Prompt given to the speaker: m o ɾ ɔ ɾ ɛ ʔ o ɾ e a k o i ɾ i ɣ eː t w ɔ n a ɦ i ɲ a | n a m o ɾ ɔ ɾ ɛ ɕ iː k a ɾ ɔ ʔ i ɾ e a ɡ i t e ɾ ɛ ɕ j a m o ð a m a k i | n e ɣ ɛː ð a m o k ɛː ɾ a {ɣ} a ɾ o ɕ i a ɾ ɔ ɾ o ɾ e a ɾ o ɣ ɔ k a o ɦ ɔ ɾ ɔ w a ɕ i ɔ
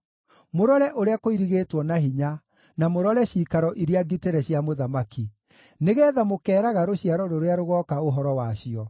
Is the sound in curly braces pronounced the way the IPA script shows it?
yes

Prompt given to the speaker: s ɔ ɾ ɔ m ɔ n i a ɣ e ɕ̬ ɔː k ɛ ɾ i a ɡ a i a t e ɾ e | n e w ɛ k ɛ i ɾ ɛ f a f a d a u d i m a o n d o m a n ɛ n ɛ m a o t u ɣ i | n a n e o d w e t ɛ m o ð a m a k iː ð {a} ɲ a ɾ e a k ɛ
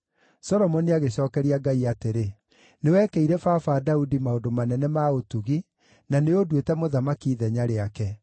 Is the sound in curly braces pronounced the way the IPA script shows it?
no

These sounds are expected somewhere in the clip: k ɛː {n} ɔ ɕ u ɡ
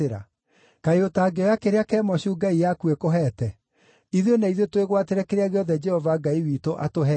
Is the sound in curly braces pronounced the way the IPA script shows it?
no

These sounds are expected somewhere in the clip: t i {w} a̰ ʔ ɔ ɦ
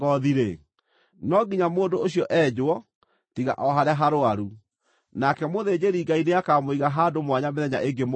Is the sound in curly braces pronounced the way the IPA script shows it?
no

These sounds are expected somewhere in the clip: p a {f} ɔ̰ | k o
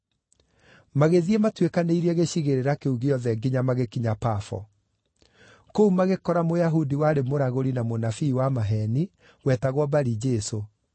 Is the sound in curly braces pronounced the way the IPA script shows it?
yes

